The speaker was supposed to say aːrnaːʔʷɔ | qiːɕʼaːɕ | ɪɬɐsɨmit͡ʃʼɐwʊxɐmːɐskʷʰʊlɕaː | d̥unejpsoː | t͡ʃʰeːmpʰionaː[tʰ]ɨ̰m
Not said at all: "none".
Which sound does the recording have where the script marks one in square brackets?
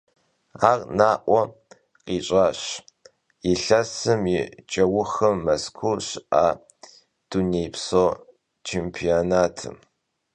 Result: tʰ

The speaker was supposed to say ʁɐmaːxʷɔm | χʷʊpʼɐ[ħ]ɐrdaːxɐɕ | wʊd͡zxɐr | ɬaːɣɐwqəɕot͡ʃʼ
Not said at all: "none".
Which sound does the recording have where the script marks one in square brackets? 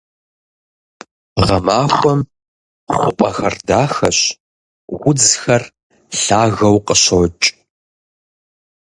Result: x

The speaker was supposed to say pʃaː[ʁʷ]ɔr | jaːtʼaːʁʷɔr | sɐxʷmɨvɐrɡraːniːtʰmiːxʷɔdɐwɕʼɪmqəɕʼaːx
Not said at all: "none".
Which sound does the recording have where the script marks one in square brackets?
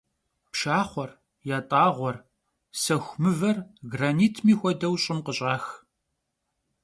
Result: χʷ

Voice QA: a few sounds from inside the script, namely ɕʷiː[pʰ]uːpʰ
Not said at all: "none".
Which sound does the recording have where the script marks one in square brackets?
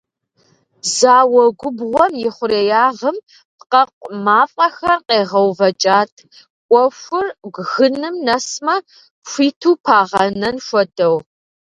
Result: tʰ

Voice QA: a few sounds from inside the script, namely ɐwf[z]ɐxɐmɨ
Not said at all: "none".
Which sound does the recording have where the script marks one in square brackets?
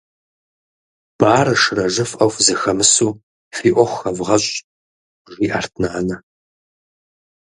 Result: z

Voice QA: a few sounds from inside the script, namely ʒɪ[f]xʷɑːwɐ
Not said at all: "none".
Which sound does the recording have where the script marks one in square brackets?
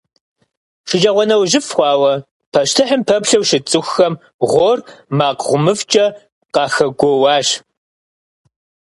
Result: f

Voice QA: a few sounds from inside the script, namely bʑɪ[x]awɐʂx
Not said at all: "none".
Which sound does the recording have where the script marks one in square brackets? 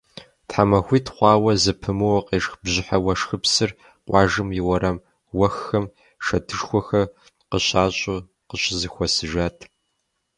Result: ħ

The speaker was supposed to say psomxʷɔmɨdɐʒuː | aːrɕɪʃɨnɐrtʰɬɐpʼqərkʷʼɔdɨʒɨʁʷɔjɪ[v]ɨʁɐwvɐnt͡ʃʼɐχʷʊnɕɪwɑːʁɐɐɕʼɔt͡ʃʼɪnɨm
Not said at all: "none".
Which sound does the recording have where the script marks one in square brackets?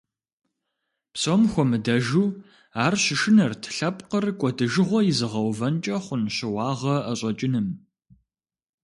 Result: z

